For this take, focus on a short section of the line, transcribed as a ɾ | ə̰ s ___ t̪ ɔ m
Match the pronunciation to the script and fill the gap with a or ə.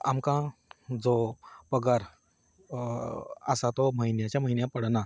a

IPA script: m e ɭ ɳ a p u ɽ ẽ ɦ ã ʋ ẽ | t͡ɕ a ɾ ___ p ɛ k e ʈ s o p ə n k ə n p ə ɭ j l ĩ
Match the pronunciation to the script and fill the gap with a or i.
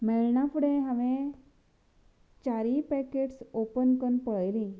i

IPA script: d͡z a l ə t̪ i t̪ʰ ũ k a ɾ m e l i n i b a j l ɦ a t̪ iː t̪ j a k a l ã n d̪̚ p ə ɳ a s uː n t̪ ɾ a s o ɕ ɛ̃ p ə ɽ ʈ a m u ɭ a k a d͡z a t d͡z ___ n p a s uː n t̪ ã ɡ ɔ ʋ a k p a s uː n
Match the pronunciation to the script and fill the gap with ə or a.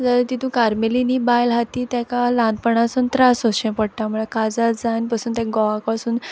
a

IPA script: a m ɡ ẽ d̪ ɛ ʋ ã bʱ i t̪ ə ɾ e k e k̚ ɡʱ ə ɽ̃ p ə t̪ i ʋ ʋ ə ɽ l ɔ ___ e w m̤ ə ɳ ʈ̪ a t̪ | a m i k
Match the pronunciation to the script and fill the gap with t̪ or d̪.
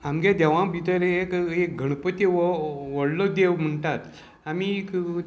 d̪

